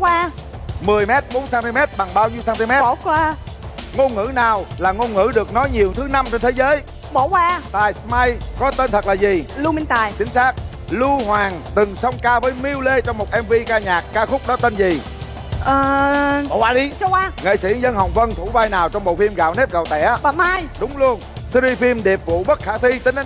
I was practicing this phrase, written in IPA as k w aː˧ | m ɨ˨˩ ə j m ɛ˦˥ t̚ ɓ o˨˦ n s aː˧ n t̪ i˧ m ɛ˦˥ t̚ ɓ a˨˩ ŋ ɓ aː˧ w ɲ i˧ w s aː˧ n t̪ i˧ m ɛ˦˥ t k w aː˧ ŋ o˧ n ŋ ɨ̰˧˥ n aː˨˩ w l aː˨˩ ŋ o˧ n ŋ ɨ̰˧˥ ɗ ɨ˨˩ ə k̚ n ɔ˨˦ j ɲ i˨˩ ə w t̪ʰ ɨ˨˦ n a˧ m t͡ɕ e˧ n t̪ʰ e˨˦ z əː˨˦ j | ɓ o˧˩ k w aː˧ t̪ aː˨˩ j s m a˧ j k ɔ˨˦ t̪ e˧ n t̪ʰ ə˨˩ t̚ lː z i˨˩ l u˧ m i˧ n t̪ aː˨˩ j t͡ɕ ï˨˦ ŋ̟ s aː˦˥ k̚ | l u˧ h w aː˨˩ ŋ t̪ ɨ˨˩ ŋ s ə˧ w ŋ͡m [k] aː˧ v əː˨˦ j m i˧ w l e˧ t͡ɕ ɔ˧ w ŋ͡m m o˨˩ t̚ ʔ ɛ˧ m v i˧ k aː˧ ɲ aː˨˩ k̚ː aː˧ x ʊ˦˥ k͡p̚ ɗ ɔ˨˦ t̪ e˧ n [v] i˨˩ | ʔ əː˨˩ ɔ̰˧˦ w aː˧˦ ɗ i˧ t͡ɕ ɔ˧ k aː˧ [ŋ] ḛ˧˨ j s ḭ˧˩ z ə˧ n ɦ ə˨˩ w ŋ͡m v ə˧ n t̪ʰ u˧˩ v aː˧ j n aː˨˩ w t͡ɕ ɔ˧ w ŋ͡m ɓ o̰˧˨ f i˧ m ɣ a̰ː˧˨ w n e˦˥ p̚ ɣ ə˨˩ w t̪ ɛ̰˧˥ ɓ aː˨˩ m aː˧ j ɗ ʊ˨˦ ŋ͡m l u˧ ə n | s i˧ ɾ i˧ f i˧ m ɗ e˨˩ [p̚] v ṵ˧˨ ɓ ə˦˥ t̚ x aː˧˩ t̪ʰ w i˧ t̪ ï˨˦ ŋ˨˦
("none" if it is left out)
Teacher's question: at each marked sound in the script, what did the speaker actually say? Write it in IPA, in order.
k, z, ŋ, p̚

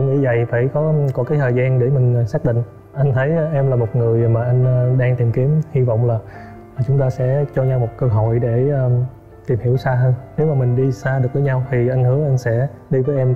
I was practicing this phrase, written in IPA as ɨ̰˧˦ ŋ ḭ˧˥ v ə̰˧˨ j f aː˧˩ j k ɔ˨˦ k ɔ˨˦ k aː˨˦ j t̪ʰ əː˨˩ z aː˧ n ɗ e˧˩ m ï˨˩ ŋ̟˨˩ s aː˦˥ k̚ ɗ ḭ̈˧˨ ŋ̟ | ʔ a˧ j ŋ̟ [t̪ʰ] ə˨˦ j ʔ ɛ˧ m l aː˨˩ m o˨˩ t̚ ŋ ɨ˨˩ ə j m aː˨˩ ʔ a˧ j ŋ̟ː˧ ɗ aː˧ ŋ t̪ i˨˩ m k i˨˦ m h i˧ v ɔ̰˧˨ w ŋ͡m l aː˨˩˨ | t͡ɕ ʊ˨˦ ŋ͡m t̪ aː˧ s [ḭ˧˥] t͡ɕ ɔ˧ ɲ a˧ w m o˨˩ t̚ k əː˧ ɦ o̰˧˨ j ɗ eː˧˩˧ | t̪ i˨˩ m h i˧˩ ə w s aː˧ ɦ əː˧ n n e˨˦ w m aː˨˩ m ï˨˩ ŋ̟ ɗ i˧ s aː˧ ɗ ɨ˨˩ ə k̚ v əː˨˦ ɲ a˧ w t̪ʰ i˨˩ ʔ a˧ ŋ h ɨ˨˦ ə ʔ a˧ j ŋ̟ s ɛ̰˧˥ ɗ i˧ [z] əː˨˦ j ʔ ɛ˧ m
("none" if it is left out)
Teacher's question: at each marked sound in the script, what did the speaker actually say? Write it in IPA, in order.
t̪ʰ, ɛ̰˧˥, v

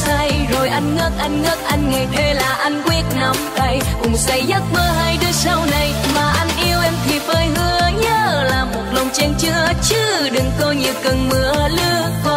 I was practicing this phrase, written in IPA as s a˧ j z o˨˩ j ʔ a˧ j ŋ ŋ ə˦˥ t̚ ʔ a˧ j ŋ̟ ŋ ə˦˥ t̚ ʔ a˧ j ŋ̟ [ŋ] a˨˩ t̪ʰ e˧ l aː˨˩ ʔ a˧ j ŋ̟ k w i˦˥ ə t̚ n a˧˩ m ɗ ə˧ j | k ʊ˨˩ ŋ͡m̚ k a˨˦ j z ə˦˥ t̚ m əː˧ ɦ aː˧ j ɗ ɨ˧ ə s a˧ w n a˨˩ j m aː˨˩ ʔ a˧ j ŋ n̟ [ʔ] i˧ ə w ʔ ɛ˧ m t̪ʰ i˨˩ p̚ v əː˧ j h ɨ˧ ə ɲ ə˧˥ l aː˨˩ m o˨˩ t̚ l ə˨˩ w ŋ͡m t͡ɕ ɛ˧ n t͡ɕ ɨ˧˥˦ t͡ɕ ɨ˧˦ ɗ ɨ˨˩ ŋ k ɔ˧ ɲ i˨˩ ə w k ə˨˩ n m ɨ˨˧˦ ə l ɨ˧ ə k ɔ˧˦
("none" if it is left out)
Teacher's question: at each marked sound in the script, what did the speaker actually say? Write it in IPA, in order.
ŋ, ʔ

